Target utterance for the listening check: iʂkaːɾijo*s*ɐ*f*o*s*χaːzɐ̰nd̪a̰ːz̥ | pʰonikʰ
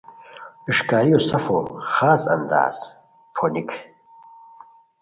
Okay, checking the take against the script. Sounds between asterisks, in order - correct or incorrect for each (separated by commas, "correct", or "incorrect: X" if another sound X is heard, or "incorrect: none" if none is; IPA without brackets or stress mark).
correct, correct, incorrect: none